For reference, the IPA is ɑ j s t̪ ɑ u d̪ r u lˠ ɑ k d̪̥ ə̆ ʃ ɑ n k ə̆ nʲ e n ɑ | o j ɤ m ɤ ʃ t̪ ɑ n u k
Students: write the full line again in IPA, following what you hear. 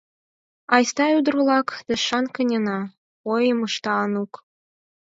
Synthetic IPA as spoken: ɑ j s t̪ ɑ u d̪ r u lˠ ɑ k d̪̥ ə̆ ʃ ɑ n k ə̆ nʲ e n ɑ | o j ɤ m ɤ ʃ t̪ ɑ n u k